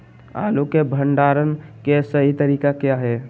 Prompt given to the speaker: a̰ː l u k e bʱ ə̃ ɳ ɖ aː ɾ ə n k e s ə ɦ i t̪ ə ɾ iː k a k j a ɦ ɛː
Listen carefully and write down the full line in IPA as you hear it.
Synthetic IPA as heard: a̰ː l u k e bʱ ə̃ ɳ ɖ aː ɾ ə n k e s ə ɦ i t̪ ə ɾ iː k a k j a ɦ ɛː